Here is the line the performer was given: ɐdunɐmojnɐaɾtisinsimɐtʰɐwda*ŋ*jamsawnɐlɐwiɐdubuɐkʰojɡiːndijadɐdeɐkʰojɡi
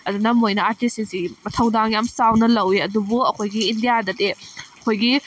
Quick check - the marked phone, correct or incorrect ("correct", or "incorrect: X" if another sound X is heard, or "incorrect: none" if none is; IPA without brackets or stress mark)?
correct